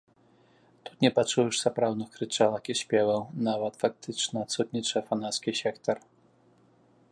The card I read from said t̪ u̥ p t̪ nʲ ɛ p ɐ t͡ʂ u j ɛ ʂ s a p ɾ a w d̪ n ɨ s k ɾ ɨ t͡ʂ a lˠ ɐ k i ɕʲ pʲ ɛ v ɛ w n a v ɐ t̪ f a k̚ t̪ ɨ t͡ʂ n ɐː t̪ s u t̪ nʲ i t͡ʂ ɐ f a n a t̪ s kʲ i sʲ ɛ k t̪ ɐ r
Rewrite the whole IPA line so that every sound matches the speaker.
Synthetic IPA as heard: t̪ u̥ t̪ nʲ ɛ p a t͡ʂ u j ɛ ʂ s a p ɾ a w d̪ n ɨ x k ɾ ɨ t͡ʂ a lˠ ɐ k i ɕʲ pʲ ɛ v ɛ w n a v ɐ t̪ f a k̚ t̪ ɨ t͡ʂ n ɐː t̪ s u t̪ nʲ i t͡ʂ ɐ f a n a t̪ s kʲ i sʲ ɛ k t̪ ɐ r